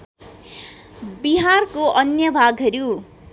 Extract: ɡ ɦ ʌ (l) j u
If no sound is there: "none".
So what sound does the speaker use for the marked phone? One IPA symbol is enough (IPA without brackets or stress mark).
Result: ɾ